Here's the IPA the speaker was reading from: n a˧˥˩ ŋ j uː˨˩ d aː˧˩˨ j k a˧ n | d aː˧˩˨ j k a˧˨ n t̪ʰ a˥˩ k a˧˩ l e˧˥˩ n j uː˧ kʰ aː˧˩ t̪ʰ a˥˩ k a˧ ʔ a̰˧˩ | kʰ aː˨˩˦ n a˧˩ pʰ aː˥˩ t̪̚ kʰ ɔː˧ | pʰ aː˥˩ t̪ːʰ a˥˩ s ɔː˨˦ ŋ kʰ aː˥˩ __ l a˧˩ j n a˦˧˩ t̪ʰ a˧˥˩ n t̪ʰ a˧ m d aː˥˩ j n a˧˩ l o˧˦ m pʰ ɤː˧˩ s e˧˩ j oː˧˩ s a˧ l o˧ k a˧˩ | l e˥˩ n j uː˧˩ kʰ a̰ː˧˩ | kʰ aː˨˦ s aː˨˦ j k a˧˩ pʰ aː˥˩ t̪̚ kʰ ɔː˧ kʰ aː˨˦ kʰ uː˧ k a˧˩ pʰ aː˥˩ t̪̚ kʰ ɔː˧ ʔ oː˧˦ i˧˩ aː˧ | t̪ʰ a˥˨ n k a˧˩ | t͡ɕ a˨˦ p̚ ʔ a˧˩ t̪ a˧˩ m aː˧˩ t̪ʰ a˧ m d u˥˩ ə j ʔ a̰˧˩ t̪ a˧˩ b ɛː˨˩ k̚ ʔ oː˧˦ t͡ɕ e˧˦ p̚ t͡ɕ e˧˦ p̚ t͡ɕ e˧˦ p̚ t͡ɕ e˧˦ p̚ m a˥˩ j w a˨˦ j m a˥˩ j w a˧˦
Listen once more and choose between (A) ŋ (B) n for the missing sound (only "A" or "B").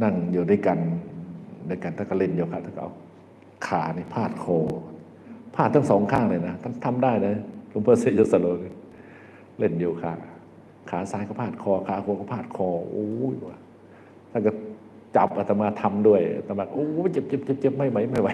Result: A